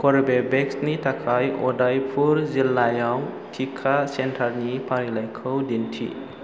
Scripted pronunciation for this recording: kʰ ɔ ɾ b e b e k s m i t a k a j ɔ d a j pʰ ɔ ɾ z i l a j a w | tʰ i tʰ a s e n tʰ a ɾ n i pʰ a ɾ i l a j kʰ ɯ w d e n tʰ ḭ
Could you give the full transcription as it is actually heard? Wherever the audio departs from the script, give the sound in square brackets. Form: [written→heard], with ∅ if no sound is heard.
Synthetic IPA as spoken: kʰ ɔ ɾ b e b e k s [m→n] i t a [k→kʰ] a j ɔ d a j pʰ [ɔ→u] ɾ z i l a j a w | tʰ i [tʰ→kʰ] a s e n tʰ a ɾ n i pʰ a ɾ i l a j kʰ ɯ w d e n tʰ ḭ